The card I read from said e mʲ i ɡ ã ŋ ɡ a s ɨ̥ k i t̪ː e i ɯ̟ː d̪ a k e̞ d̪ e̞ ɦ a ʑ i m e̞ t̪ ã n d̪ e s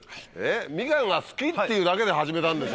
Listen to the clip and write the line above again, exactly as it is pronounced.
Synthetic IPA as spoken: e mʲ i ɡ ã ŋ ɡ a s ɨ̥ k i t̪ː e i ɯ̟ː d̪ a k e̞ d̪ e̞ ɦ a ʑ i m e̞ t̪ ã n d̪ e s